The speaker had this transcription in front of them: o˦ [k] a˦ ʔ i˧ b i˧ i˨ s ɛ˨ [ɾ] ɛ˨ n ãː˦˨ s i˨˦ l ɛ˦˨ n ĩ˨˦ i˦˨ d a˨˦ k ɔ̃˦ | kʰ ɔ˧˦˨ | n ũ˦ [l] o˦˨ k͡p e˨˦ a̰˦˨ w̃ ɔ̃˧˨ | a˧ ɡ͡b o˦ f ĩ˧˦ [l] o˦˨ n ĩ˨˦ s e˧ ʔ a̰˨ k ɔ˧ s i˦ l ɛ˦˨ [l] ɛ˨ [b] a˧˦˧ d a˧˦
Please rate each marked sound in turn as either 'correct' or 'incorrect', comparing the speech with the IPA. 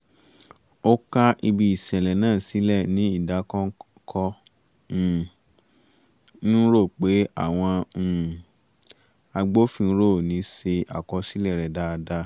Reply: correct, incorrect, incorrect, incorrect, incorrect, incorrect

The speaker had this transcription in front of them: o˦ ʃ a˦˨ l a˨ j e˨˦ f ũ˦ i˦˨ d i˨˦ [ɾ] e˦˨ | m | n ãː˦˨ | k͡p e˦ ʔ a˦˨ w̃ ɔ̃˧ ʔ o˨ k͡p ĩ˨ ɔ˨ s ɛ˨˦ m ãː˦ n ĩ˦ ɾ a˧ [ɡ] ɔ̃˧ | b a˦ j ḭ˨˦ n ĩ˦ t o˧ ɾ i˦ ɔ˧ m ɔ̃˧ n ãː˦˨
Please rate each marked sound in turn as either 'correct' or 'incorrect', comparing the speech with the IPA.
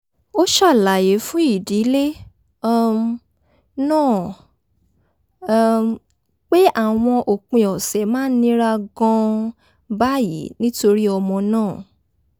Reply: incorrect, correct

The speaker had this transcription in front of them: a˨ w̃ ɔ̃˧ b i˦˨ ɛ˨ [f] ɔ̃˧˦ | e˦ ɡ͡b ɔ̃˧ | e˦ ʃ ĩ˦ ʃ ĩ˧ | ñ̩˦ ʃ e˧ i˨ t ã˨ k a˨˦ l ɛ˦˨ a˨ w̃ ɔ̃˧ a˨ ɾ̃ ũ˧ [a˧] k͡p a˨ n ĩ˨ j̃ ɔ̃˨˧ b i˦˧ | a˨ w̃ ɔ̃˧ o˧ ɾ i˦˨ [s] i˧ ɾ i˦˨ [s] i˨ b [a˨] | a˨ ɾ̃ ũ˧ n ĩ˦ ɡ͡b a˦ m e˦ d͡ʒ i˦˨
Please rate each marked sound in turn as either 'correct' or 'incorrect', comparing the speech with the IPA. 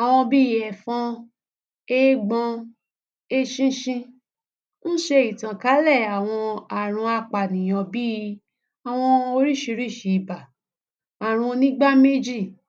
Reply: correct, correct, incorrect, incorrect, correct

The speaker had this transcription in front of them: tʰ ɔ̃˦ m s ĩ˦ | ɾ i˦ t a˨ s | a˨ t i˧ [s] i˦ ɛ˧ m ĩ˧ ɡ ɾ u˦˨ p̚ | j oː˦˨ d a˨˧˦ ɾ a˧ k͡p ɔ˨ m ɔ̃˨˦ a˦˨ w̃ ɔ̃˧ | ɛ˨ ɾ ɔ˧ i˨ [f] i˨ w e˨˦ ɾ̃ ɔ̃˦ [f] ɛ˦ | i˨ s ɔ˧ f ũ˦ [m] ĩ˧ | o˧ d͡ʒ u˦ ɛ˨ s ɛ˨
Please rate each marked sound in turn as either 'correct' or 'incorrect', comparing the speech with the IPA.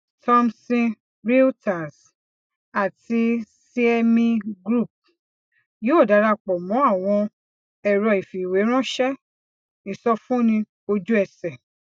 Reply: correct, correct, incorrect, incorrect

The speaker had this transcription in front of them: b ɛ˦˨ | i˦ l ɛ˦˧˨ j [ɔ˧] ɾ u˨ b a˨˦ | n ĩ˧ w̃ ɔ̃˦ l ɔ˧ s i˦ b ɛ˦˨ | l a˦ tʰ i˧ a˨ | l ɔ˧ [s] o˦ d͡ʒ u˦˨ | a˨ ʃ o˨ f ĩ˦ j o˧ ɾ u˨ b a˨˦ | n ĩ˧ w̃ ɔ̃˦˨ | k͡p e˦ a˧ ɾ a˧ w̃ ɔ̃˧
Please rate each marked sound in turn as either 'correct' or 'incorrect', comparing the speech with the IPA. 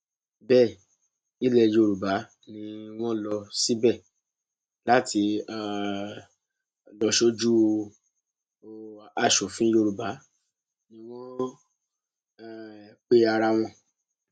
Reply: incorrect, incorrect

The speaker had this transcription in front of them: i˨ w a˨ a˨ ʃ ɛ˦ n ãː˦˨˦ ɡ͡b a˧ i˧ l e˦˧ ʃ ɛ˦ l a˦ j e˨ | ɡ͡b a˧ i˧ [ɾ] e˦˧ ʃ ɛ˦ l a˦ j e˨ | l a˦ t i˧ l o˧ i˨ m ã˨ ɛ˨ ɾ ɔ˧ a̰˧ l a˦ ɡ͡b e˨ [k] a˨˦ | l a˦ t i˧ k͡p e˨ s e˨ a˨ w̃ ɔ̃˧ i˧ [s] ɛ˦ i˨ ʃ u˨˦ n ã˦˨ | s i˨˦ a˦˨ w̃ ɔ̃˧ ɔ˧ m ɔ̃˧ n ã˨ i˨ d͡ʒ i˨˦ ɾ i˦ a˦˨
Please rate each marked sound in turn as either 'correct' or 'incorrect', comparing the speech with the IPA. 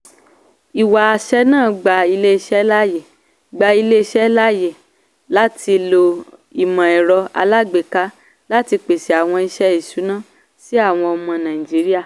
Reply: incorrect, correct, incorrect

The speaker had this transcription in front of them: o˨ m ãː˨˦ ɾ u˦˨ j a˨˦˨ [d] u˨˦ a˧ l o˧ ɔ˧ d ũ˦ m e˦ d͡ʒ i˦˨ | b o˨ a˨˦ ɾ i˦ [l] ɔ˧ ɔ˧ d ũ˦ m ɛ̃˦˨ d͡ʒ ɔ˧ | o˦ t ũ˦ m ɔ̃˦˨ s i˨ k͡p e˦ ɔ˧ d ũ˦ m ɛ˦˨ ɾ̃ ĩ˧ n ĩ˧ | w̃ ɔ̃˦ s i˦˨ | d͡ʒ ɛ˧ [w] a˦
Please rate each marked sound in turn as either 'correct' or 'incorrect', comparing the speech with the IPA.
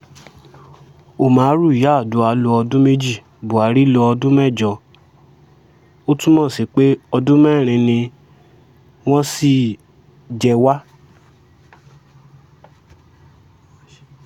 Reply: correct, correct, correct

